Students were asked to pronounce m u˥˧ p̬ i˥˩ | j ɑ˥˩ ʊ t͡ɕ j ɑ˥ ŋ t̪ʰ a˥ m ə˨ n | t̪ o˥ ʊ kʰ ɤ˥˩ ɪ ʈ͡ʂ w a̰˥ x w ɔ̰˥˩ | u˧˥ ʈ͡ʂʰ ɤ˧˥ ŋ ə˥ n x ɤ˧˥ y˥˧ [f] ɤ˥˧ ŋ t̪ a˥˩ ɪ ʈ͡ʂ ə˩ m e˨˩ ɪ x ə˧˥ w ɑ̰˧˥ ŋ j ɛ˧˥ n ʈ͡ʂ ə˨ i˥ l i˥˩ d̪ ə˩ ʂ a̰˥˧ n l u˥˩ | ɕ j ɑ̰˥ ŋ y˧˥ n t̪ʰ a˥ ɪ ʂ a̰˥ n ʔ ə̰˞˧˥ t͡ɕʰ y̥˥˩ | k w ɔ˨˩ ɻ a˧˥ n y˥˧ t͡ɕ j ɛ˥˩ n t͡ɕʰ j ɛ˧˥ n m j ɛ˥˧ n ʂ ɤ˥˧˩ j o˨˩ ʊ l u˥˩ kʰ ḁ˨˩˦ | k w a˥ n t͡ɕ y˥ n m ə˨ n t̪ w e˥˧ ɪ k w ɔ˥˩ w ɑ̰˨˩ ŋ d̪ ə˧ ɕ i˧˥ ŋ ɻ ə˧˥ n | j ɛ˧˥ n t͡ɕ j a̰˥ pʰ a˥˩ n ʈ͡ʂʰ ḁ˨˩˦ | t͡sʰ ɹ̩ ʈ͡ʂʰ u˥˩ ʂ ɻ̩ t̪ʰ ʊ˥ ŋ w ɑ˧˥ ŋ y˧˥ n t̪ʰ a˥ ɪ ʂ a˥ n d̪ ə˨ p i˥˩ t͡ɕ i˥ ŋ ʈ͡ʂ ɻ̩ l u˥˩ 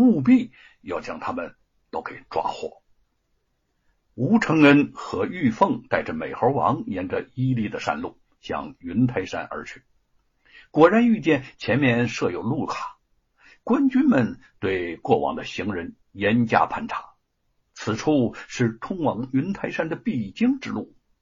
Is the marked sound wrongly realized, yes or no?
no